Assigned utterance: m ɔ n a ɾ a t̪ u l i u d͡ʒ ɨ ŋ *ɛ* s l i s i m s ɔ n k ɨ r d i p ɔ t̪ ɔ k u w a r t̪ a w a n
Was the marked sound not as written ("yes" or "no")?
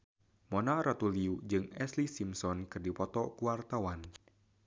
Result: no